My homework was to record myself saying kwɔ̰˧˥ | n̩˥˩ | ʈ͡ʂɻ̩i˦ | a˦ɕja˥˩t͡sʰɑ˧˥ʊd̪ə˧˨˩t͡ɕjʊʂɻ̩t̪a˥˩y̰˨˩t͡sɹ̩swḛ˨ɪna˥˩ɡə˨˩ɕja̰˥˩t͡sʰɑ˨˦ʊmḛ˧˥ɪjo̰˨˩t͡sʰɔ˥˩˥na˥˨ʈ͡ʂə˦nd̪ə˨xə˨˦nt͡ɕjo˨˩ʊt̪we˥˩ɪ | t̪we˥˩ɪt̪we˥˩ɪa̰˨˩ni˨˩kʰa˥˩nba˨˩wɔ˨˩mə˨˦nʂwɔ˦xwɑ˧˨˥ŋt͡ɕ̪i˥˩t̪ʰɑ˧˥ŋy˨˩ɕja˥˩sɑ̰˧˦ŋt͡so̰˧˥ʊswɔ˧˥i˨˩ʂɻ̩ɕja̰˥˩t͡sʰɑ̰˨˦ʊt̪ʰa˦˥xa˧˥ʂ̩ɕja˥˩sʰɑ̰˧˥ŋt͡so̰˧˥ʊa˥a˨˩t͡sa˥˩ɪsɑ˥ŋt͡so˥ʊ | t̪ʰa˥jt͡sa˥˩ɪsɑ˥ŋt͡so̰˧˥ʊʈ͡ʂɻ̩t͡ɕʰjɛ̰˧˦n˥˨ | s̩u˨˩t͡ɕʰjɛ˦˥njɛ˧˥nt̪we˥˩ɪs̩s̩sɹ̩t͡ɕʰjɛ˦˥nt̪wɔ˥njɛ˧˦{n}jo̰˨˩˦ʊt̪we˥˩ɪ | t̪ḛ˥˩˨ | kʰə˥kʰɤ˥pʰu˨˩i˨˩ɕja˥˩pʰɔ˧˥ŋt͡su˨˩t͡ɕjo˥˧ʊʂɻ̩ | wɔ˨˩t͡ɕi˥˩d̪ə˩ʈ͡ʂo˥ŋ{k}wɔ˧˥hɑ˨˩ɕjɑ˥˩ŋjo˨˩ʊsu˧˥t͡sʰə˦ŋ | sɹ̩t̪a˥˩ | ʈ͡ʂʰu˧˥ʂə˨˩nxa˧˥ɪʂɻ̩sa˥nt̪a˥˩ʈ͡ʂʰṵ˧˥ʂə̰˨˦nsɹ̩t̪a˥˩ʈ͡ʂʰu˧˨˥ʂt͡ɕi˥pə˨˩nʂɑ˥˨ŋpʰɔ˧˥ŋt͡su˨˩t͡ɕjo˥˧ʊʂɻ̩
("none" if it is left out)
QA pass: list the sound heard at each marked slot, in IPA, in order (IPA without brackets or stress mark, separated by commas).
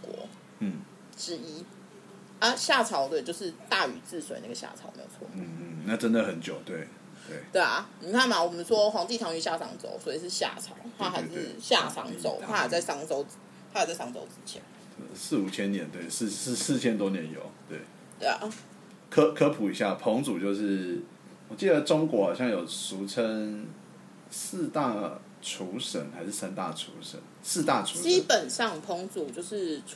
n, k